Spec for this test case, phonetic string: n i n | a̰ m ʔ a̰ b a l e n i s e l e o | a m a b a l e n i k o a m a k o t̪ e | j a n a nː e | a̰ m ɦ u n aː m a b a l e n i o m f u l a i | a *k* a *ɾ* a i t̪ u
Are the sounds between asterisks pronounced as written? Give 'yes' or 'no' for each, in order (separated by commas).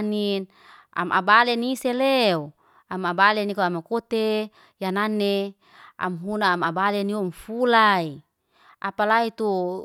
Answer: no, no